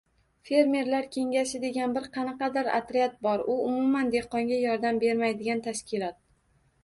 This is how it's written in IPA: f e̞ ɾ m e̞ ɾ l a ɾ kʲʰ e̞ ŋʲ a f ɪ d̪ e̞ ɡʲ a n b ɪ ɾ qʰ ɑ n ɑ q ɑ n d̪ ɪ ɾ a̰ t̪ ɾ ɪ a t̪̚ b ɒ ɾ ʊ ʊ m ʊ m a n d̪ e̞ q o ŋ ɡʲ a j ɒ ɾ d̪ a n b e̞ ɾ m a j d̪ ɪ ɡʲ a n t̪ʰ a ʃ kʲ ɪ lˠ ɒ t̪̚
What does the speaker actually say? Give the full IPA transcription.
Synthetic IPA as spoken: f e̞ ɾ m e̞ ɾ l a ɾ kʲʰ e̞ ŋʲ a ʃ ɪ d̪ e̞ ɡʲ a n b ɪ ɾ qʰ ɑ n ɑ q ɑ d̪ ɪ ɾ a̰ t̪ ɾ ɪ a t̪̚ b ɒ ɾ ʊ ʊ m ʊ m a n d̪ e̞ q ɒ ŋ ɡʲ a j ɒ ɾ d̪ a m b e̞ ɾ m a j d̪ ɪ ɡʲ a n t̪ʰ a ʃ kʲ ɪ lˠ ɒ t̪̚